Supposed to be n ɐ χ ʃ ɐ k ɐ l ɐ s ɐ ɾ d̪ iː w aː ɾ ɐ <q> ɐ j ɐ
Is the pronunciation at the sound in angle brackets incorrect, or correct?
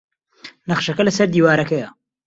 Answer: incorrect